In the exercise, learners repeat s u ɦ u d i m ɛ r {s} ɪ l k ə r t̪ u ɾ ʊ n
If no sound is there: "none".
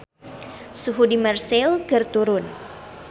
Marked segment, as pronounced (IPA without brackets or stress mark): s